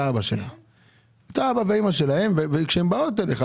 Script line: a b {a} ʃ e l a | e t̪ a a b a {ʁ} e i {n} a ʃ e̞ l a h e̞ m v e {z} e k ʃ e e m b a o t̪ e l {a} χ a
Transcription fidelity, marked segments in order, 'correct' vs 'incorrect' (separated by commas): correct, incorrect, incorrect, incorrect, incorrect